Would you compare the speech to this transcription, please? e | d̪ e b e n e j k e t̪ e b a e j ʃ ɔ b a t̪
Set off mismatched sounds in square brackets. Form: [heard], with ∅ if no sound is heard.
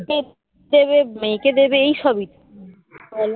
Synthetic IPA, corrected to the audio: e | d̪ e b e [m] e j k e [d̪] e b [e] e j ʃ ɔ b [i] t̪